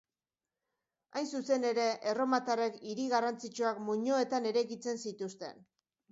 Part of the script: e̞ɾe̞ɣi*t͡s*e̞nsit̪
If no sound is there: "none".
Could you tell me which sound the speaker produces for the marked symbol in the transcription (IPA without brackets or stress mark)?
t͡s